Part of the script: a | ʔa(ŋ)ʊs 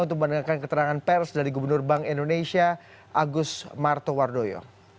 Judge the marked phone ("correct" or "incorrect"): incorrect